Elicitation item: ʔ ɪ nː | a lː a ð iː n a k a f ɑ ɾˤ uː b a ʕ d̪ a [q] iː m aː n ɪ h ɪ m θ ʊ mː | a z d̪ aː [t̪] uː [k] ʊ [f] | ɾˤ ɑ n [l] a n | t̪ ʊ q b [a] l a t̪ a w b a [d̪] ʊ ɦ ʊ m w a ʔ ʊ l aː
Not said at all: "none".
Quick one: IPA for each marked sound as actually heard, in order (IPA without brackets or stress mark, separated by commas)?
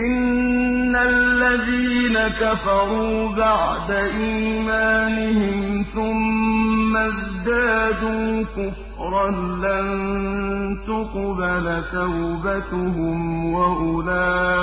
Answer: ʔ, d̪, k, f, l, a, t̪